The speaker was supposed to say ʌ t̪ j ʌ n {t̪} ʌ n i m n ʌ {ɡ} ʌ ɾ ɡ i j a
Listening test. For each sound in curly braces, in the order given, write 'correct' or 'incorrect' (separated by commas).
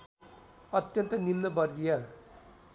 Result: correct, incorrect